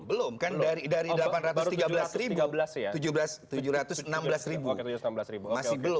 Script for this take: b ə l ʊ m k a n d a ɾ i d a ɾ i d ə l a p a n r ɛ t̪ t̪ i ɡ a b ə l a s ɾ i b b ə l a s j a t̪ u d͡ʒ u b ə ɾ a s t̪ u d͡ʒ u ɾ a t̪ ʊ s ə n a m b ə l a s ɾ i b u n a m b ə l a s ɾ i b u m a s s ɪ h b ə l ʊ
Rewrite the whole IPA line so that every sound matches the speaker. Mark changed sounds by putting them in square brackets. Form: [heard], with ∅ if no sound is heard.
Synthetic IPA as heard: b ə l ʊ m k a n d a ɾ i d a ɾ i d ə l a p a n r [a] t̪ t̪ i ɡ a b ə l a s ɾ i b b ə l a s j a t̪ u d͡ʒ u b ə [l] a s t̪ u d͡ʒ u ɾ a t̪ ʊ s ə n a m b ə l a s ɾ i b u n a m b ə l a s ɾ i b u m a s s ɪ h b ə l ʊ